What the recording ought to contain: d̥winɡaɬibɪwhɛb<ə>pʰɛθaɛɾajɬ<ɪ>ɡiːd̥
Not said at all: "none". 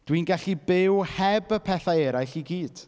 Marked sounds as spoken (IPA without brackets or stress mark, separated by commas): ə, i